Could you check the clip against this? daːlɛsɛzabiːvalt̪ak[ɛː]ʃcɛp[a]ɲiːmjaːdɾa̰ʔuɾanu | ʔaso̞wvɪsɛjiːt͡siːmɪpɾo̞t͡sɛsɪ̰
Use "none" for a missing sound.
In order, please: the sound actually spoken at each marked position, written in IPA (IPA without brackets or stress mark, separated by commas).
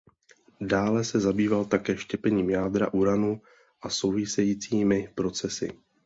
ɛː, ɛ